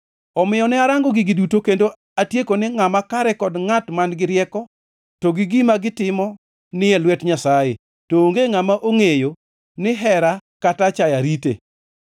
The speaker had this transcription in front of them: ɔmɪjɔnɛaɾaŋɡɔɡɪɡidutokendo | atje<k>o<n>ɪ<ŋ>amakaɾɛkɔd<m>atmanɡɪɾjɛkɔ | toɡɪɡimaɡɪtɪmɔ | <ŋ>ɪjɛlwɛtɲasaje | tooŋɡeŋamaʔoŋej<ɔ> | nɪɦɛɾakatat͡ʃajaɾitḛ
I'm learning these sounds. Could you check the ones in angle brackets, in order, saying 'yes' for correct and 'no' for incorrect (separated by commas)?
yes, yes, yes, no, no, no